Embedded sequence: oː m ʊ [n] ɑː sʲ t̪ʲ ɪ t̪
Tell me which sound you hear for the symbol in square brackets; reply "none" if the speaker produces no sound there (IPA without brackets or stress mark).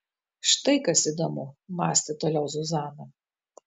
m